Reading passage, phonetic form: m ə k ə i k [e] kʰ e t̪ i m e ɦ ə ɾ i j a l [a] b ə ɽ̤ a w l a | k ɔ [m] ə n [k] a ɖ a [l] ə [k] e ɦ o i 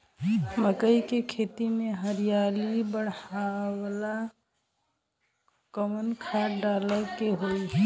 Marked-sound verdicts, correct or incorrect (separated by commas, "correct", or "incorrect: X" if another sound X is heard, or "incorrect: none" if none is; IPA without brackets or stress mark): correct, incorrect: i, correct, incorrect: kʰ, correct, correct